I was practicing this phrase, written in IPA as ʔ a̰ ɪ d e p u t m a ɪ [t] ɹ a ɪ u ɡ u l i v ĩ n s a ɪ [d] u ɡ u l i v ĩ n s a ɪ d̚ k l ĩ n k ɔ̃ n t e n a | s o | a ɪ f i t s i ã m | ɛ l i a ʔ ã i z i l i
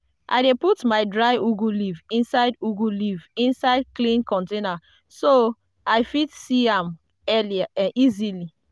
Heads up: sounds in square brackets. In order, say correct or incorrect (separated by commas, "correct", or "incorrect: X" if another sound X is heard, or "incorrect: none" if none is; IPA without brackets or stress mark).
incorrect: d, correct